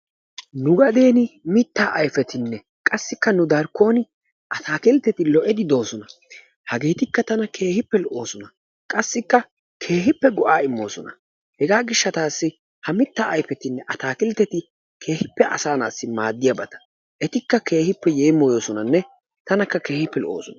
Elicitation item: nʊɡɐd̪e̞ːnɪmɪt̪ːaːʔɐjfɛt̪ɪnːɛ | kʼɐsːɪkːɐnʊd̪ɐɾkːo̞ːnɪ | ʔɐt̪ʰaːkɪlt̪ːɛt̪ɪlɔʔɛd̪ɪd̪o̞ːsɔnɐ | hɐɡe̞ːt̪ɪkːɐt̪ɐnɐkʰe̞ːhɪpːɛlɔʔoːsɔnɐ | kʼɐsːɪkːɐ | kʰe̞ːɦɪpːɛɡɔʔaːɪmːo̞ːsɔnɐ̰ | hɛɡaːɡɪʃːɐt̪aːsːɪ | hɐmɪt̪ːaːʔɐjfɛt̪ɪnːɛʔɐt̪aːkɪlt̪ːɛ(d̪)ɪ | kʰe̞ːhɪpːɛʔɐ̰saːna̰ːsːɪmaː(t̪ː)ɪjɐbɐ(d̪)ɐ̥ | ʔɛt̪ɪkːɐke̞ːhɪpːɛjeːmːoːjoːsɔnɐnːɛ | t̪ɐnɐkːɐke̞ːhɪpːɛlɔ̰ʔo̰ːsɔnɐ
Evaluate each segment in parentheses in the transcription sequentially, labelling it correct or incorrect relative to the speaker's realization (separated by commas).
incorrect, incorrect, incorrect